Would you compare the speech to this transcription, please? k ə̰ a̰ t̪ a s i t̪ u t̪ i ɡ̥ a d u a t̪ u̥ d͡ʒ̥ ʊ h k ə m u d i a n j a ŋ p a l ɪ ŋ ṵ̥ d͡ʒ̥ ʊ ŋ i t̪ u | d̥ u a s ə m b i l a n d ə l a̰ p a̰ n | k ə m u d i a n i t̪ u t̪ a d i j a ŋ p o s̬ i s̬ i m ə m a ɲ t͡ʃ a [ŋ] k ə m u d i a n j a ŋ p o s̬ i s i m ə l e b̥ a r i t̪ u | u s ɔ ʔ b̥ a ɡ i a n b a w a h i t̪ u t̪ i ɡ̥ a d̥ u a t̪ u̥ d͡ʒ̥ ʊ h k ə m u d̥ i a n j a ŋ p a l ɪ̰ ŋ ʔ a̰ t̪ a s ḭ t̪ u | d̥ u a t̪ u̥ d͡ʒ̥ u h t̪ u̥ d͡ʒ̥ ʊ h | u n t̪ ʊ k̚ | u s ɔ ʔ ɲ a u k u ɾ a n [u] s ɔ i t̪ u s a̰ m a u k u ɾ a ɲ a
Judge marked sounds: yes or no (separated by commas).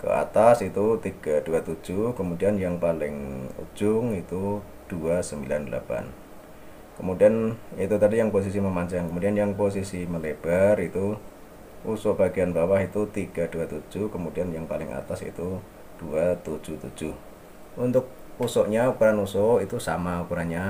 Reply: yes, yes